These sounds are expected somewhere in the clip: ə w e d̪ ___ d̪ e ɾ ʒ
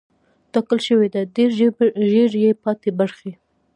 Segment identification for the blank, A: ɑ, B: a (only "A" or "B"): B